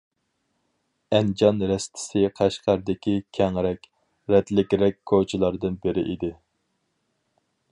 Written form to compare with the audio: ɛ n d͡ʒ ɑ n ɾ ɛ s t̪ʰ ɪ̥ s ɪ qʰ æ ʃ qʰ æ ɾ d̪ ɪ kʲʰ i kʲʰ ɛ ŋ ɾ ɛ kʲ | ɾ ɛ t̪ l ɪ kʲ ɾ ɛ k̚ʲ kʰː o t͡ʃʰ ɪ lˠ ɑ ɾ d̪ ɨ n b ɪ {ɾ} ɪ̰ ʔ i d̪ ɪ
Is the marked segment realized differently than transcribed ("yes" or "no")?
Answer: no